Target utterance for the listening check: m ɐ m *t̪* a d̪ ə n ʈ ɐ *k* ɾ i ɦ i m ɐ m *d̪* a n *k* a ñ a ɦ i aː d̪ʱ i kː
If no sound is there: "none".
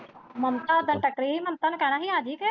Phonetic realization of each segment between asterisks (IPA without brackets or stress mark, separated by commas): t̪, k, t̪, k